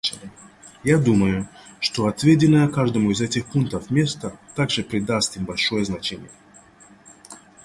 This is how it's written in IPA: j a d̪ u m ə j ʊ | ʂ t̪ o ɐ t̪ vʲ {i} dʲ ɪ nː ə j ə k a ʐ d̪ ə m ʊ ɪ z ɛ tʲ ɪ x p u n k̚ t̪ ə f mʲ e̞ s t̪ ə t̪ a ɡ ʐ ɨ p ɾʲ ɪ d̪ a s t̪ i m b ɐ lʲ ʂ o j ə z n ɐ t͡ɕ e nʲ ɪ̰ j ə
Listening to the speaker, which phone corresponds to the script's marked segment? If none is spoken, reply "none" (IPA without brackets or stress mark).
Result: e